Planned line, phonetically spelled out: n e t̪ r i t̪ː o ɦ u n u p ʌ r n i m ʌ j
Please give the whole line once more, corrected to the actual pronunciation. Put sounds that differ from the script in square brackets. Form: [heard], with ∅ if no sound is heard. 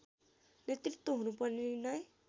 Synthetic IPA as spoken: n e t̪ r i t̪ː o ɦ u n u p ʌ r n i [n] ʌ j